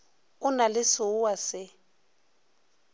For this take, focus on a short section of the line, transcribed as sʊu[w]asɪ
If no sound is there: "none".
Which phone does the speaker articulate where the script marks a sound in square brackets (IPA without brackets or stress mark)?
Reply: w